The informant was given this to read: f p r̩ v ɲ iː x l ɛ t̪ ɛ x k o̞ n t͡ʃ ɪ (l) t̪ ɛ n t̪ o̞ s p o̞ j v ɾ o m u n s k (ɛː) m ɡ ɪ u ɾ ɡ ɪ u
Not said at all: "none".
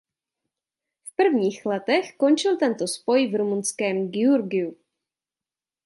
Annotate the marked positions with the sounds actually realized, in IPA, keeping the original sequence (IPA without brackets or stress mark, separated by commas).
l, ɛː